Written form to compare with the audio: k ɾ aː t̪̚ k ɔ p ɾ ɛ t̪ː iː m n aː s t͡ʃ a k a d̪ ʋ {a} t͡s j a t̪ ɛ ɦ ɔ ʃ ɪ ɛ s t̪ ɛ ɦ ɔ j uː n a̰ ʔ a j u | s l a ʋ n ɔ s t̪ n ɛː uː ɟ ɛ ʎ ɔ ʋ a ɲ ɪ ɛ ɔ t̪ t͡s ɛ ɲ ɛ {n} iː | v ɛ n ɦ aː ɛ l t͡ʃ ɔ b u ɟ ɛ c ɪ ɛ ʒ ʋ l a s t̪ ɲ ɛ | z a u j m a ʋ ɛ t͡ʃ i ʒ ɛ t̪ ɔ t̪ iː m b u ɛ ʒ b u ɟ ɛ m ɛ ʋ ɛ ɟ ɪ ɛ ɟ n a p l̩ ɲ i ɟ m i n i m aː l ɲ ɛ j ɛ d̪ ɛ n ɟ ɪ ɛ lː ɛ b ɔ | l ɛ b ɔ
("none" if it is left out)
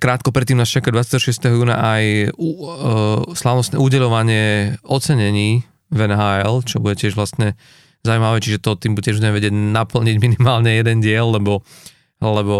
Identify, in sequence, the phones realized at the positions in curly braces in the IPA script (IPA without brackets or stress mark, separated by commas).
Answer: a, ɲ